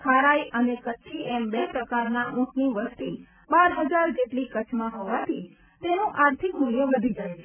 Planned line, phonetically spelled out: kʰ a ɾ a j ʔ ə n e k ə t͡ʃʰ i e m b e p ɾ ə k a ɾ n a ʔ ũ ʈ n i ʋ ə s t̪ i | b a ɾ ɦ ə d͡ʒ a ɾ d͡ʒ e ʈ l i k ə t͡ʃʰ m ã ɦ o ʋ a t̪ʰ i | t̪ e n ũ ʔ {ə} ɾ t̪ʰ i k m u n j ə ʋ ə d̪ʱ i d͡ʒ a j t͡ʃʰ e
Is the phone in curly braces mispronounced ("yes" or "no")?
yes